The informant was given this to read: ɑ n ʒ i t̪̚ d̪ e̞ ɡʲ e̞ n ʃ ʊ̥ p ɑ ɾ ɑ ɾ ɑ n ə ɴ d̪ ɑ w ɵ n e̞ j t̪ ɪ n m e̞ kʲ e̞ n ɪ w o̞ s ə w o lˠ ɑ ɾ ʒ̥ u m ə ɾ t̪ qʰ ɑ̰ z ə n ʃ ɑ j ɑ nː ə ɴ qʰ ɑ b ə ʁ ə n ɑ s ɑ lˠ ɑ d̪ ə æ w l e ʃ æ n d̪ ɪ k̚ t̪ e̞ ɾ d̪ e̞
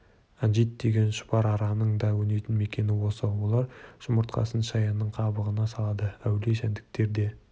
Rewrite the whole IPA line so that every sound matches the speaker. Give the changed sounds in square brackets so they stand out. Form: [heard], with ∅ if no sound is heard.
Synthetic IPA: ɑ n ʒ i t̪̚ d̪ e̞ ɡʲ e̞ n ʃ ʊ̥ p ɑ ɾ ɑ ɾ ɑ n ə ɴ d̪ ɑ w ɵ n e̞ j t̪ ɪ n m e̞ kʲ e̞ n ɪ w o̞ s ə w o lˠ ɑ ɾ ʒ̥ [ʊ] m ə ɾ t̪ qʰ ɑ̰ [s] ə n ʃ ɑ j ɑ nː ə ɴ qʰ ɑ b ə ʁ ə n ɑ s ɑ lˠ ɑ d̪ ə æ w l e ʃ æ n d̪ ɪ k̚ t̪ e̞ ɾ d̪ e̞